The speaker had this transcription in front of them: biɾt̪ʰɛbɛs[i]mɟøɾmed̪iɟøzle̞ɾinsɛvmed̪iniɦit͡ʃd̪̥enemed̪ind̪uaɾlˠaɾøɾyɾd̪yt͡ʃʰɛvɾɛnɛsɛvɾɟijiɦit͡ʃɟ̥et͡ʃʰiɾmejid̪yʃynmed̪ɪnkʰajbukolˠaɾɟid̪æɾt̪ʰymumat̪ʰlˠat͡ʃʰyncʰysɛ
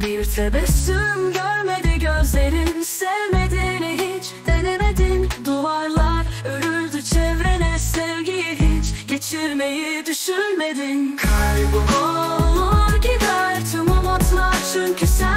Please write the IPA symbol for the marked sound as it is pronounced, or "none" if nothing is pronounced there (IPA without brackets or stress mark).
y